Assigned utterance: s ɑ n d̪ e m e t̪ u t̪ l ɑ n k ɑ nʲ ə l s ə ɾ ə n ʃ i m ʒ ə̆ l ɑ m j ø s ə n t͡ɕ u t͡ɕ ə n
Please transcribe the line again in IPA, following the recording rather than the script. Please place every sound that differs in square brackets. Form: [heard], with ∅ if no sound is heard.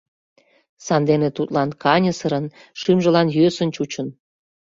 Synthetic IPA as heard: s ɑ n d̪ e [n] e t̪ u t̪ l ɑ n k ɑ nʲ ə [∅] s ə ɾ ə n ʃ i m ʒ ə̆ l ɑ [n] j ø s ə n t͡ɕ u t͡ɕ ə n